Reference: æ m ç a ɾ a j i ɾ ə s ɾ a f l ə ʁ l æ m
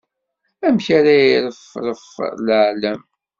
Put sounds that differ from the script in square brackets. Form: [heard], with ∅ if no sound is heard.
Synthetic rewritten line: æ m ç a ɾ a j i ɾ ə [f] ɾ [ə] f l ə [ʕ] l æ m